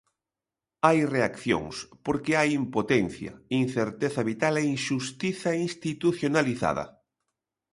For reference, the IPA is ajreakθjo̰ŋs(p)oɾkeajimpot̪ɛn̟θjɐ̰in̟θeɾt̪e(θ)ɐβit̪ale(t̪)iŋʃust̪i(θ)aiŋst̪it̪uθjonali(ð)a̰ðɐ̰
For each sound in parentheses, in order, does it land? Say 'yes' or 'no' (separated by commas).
yes, yes, no, yes, no